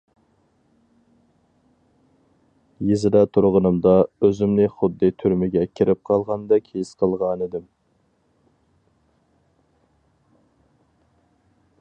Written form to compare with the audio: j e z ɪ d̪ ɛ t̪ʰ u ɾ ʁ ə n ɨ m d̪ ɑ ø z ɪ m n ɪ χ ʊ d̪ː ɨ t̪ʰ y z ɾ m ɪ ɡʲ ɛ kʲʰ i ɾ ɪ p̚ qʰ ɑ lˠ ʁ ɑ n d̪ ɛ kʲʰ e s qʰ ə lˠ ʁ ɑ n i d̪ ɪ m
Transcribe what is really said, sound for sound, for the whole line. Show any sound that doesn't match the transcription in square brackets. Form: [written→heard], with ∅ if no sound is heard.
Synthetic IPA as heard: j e z ɪ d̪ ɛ t̪ʰ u ɾ ʁ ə n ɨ m d̪ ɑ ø z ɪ m n ɪ χ ʊ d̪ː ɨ t̪ʰ y [z→∅] ɾ m ɪ ɡʲ ɛ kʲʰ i ɾ ɪ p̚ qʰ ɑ lˠ ʁ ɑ n d̪ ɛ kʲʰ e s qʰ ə lˠ ʁ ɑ n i d̪ ɪ m